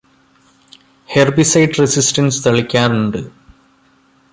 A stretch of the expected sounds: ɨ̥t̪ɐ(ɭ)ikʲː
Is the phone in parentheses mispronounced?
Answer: no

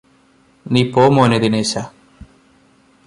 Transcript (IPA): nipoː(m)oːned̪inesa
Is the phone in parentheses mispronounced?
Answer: no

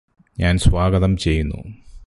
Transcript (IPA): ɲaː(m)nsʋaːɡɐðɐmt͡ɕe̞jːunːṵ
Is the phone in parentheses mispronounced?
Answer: yes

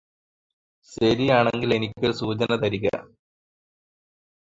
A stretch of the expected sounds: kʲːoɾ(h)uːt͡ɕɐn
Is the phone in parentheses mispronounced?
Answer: yes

